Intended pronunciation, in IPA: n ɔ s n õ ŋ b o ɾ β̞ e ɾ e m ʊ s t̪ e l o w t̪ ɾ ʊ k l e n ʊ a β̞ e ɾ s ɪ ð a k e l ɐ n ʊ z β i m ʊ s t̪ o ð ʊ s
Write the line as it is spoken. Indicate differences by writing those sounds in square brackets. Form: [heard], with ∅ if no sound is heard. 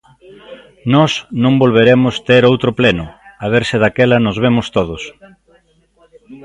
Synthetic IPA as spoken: n ɔ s n õ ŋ b o [l] β̞ e ɾ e m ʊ s t̪ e [ɾ] o w t̪ ɾ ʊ [p] l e n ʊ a β̞ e ɾ s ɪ ð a k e l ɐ n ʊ z β [e] m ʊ s t̪ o ð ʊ s